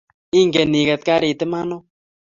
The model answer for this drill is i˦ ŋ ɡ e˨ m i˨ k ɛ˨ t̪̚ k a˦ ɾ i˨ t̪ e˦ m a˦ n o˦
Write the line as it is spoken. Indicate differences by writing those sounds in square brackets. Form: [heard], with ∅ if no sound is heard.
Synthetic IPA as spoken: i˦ ŋ ɡ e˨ [n] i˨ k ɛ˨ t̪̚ k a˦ ɾ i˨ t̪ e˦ m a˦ n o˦